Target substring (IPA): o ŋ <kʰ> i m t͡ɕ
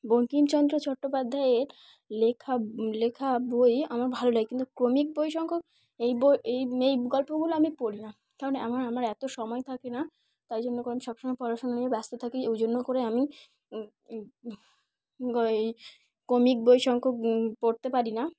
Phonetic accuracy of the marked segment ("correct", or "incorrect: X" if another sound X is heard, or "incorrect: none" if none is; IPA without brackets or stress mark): incorrect: k